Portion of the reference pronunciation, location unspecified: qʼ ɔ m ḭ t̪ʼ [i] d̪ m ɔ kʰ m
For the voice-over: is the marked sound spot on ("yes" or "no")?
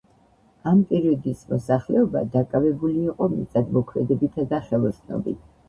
no